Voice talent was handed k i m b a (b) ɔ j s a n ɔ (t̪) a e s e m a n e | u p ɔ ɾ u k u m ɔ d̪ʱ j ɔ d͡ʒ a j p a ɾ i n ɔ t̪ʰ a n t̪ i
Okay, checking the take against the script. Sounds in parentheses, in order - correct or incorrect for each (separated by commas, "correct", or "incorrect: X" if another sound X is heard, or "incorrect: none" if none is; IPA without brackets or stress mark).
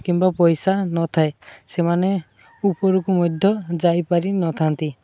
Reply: incorrect: p, incorrect: t̪ʰ